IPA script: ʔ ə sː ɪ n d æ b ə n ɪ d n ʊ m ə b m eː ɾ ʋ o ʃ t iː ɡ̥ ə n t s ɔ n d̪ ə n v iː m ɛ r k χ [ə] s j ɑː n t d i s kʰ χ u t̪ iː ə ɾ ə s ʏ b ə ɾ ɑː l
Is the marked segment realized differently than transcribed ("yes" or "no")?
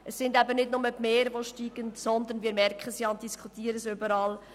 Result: no